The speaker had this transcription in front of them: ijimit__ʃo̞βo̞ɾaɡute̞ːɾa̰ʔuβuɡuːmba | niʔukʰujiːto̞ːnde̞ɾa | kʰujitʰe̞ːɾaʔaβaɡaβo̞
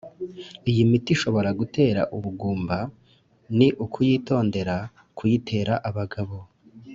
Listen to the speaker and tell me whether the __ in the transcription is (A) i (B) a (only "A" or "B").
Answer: A